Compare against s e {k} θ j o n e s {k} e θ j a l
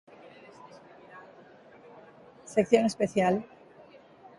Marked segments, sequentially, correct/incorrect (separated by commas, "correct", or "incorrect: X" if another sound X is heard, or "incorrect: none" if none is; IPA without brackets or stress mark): correct, incorrect: p